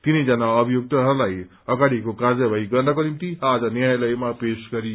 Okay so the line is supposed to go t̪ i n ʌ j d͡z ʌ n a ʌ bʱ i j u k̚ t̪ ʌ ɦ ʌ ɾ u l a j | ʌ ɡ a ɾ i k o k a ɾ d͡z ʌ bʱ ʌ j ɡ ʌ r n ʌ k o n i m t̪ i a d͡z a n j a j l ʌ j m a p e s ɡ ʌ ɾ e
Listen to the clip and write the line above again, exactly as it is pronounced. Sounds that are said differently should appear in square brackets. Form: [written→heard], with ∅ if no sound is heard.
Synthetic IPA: t̪ i n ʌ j d͡z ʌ n a ʌ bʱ i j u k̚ t̪ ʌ ɦ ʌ ɾ u l a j | ʌ ɡ a [ɾ→ɽ] i k o k a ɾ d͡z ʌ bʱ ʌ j ɡ ʌ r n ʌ k o n i m t̪ i a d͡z [a→ʌ] n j a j l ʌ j m a p e s ɡ ʌ ɾ [e→i]